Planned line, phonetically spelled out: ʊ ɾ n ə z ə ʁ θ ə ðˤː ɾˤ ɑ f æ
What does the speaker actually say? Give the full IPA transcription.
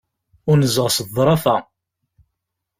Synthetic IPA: ʊ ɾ n ə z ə ʁ s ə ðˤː ɾˤ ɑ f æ